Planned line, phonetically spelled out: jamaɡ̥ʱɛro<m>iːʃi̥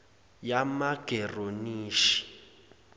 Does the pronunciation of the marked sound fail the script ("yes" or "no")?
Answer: yes